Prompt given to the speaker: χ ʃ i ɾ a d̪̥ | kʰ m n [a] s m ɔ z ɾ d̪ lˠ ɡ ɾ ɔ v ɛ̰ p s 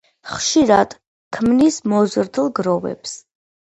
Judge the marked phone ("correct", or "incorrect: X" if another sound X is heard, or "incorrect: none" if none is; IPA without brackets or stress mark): incorrect: i